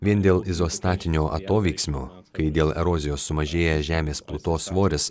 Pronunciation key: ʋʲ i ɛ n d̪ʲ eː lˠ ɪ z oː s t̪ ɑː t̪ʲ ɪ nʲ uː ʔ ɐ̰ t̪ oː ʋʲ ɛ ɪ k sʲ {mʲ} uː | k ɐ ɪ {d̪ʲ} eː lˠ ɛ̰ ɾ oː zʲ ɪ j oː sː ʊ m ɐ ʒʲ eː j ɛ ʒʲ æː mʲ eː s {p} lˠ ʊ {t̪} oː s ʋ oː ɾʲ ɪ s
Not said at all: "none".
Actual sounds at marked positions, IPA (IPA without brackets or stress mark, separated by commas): mʲ, d̪ʲ, p, t̪